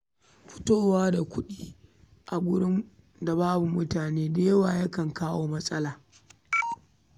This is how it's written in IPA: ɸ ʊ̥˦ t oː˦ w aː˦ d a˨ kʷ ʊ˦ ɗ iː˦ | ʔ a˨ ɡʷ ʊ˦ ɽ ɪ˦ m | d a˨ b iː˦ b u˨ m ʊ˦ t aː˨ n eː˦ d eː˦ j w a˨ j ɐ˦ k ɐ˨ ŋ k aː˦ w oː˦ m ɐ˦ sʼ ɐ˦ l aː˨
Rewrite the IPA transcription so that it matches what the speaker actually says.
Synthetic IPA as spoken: ɸ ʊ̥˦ t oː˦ w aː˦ d a˨ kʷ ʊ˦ ɗ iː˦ | ʔ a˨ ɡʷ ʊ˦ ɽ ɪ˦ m | d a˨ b aː˦ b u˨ m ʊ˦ t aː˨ n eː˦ d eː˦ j w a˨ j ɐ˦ k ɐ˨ ŋ k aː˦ w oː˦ m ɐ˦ sʼ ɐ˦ l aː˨